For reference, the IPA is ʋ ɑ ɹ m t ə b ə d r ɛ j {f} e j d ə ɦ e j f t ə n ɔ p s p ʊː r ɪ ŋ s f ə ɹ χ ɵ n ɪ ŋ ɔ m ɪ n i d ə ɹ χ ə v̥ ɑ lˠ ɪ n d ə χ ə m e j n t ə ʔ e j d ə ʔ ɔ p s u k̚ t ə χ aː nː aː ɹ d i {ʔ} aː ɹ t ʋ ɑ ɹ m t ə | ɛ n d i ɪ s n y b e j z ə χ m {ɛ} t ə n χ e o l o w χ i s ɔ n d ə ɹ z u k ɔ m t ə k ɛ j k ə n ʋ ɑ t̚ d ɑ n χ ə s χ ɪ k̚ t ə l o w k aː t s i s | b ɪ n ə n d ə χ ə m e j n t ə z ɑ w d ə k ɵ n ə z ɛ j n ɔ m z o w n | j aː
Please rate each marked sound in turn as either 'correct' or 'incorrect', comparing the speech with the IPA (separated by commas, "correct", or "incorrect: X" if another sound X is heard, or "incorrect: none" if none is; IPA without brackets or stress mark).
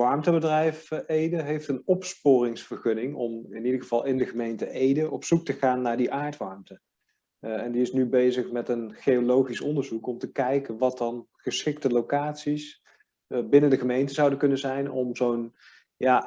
correct, correct, correct